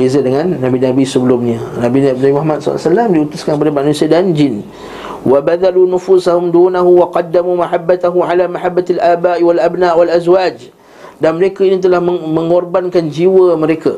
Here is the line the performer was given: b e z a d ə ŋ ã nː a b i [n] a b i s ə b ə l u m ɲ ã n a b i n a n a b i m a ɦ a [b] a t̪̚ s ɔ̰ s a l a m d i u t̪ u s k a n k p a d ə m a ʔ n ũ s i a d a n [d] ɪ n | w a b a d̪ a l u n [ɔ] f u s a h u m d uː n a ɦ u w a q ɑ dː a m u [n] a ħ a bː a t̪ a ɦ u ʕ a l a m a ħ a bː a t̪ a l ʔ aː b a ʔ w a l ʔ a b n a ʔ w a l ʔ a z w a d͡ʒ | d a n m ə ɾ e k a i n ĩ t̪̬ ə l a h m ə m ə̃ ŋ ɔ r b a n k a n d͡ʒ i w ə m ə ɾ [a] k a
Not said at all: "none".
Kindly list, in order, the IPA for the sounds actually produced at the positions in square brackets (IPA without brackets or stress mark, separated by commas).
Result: n, m, d͡ʒ, u, m, e